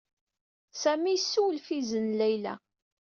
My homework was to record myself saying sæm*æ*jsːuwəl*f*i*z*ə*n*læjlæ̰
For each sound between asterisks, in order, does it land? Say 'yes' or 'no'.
no, yes, yes, yes

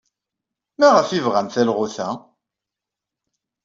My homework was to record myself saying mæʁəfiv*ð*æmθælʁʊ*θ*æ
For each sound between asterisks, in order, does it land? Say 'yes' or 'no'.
no, yes

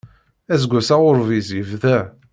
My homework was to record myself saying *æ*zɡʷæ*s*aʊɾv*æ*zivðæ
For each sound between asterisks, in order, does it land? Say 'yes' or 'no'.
yes, yes, no

